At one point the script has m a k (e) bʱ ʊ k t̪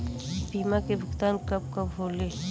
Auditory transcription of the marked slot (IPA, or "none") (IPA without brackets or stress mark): e